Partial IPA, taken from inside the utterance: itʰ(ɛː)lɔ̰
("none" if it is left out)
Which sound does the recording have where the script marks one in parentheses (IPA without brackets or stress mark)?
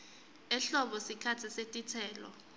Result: ɛː